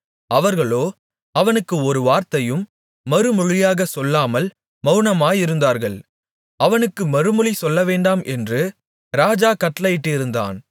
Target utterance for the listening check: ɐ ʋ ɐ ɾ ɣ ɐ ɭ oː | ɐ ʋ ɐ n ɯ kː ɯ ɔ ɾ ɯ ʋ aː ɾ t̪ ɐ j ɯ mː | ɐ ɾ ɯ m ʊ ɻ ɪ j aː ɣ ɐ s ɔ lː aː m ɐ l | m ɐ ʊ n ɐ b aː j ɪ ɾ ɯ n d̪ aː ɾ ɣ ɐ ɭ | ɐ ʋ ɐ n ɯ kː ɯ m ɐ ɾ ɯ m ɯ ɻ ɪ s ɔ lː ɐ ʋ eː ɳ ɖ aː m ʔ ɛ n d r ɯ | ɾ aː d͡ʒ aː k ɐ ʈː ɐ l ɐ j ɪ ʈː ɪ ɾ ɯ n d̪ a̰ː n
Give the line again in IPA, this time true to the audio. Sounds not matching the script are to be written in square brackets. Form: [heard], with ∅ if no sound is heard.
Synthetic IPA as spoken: ɐ ʋ ɐ ɾ ɣ ɐ ɭ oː | ɐ ʋ ɐ n ɯ kː ɯ ɔ ɾ ɯ ʋ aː ɾ t̪ ɐ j ɯ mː | ɐ ɾ ɯ m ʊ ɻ ɪ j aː ɣ ɐ s ɔ lː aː m ɐ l | m ɐ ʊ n ɐ [m] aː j ɪ ɾ ɯ n d̪ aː ɾ ɣ ɐ ɭ | ɐ ʋ ɐ n ɯ kː ɯ m ɐ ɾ ɯ m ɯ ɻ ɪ s ɔ lː ɐ ʋ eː ɳ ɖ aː m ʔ ɛ n d r ɯ | ɾ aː d͡ʒ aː k ɐ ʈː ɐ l ɐ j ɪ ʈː ɪ ɾ ɯ n d̪ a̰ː n